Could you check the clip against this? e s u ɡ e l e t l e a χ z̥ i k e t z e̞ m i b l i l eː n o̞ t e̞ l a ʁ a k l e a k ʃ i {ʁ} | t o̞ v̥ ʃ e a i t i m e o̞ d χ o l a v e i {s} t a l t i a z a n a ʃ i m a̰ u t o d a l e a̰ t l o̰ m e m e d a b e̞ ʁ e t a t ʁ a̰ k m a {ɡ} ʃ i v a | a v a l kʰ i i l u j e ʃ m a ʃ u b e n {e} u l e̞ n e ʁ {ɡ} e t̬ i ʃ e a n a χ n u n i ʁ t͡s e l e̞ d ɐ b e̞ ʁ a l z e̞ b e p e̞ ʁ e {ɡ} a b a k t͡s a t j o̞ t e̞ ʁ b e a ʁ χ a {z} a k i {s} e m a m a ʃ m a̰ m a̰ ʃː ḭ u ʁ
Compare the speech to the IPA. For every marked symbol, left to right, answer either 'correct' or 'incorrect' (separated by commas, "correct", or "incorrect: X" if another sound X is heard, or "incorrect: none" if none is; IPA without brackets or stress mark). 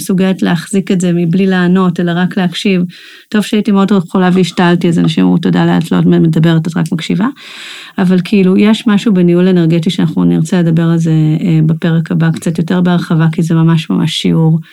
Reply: incorrect: v, incorrect: ʃ, incorrect: k, incorrect: i, correct, incorrect: k, incorrect: v, incorrect: z